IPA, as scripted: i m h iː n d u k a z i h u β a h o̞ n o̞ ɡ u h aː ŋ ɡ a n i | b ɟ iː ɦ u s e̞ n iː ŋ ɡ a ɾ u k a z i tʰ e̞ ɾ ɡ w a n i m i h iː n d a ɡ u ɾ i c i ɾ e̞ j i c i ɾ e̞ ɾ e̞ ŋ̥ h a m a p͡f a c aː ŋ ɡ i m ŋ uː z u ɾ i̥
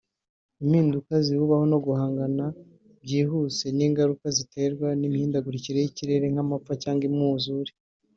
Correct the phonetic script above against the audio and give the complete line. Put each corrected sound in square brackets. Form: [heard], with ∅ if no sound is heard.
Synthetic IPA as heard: i m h iː n d u k a z i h u β a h o̞ n o̞ ɡ u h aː ŋ ɡ a n [a] | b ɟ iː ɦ u s e̞ n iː ŋ ɡ a ɾ u k a z i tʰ e̞ ɾ ɡ w a n i m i h iː n d a ɡ u ɾ i c i ɾ e̞ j i c i ɾ e̞ ɾ e̞ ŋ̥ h a m a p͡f a c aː ŋ ɡ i m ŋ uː z u ɾ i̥